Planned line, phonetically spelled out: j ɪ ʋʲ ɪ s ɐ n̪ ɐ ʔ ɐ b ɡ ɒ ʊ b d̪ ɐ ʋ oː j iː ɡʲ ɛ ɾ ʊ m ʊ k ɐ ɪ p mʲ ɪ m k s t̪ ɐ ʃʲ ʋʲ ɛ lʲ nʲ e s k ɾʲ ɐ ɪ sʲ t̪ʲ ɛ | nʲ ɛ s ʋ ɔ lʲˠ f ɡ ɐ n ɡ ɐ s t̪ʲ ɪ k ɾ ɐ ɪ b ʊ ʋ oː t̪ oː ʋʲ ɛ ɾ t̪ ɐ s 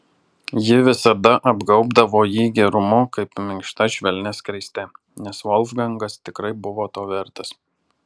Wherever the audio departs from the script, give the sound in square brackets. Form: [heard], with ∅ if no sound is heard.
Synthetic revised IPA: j ɪ ʋʲ ɪ s ɐ [d̪] ɐ ʔ ɐ b ɡ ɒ ʊ b d̪ ɐ ʋ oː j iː ɡʲ ɛ ɾ ʊ m ʊ k ɐ ɪ p mʲ ɪ [ŋ] k [ʃ] t̪ ɐ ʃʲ ʋʲ ɛ lʲ nʲ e s k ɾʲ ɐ ɪ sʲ t̪ʲ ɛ | nʲ ɛ s ʋ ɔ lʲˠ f ɡ ɐ [ŋ] ɡ ɐ s t̪ʲ ɪ k ɾ ɐ ɪ b ʊ ʋ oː t̪ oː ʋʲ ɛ ɾ t̪ ɐ s